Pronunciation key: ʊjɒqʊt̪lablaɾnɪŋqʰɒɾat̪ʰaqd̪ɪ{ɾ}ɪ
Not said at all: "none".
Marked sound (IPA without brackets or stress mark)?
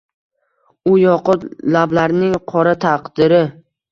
ɾ